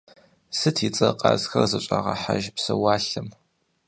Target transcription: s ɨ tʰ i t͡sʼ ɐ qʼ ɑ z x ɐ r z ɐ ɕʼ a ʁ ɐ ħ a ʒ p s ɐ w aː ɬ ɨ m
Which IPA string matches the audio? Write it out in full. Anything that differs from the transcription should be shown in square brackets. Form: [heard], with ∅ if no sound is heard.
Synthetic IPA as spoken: s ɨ tʰ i t͡sʼ ɐ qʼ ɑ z x ɐ r z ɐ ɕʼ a ʁ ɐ ħ a ʒ p s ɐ w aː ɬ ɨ m